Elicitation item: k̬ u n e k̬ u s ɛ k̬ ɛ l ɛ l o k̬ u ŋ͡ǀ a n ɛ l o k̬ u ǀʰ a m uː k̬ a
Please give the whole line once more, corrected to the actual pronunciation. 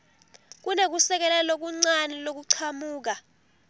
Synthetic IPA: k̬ u n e k̬ u s ɛ k̬ ɛ l ɛ l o k̬ u ŋ͡ǀ a n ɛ l o k̬ u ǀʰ a m uː k̬ a